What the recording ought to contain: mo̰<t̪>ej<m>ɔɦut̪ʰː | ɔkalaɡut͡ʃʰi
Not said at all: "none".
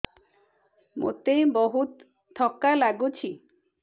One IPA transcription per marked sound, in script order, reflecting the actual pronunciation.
t̪, b

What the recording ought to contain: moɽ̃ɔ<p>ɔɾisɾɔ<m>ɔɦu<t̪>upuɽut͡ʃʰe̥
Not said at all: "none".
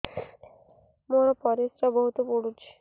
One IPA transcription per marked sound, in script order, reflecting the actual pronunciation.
p, b, t̪

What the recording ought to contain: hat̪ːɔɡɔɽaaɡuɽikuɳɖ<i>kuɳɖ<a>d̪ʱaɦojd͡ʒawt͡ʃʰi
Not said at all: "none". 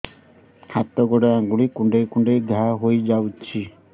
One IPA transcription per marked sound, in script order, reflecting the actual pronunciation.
e, e

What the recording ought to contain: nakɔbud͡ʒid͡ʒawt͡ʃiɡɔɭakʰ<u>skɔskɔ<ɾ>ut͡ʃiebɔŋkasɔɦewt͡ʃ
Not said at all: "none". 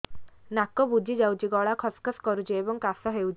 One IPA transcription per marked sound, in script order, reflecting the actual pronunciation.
ɔ, ɾ

